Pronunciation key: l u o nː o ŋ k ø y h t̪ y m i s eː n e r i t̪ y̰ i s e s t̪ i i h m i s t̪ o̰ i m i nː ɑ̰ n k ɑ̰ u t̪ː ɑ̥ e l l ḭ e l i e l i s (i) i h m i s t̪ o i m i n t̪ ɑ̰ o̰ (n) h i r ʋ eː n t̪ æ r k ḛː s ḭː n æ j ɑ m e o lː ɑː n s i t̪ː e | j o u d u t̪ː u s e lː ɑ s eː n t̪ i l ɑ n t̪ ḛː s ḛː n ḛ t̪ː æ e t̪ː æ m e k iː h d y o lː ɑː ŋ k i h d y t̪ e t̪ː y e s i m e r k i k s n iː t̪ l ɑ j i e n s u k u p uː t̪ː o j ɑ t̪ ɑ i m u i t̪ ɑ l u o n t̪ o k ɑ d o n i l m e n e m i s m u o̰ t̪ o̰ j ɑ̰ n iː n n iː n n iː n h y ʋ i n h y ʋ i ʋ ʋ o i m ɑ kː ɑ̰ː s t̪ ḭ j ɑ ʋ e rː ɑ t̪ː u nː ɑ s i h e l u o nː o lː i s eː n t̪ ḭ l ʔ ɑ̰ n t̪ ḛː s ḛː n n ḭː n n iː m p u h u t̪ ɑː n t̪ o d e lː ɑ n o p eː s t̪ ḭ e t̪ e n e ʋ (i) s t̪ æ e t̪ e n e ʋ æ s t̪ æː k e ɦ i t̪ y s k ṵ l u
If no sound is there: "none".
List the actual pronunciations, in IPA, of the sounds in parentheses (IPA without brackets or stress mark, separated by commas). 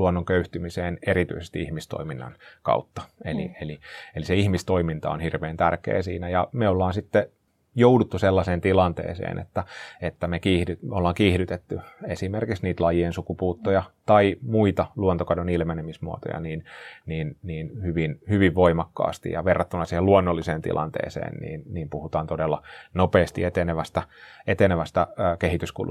e, n, æ